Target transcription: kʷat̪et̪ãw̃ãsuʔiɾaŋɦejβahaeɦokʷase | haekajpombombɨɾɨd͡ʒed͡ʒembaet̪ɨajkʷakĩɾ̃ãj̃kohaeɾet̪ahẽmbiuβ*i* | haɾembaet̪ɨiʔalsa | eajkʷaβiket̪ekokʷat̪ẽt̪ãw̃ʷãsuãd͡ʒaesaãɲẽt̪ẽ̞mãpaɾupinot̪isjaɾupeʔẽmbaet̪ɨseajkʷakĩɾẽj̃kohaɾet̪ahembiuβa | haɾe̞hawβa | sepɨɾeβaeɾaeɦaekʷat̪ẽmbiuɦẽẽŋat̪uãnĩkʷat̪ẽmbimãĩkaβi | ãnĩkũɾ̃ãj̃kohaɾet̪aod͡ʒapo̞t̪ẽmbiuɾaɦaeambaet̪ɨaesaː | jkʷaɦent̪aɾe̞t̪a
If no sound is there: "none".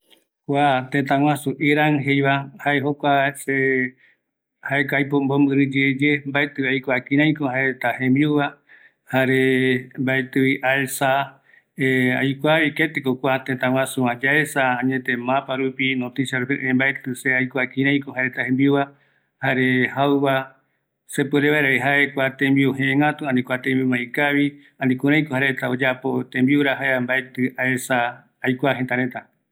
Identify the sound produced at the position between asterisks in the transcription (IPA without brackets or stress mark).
a